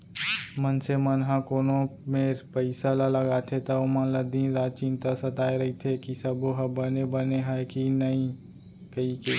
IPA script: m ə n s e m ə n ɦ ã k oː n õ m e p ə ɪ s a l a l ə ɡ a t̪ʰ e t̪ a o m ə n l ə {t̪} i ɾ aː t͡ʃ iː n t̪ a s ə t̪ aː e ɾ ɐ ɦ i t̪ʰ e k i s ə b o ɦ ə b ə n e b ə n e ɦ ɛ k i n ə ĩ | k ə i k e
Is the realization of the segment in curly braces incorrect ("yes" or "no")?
yes